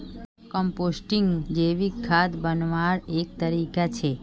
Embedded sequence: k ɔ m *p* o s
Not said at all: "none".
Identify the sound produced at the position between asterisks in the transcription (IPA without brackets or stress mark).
p